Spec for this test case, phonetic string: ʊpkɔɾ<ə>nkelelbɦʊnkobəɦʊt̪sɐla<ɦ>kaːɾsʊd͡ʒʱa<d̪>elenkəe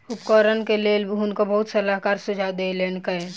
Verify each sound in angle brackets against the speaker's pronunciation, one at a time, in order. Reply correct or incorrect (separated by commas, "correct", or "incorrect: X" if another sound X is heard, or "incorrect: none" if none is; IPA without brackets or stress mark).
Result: correct, correct, correct